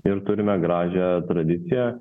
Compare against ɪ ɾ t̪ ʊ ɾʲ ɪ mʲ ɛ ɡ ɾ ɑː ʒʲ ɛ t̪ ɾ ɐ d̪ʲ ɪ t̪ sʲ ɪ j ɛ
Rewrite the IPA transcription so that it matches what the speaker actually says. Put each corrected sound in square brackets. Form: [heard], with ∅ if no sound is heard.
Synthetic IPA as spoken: ɪ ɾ t̪ ʊ ɾʲ ɪ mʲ ɛ ɡ ɾ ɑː ʒʲ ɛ t̪ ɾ ɐ d̪ʲ ɪ t̪ sʲ ɪ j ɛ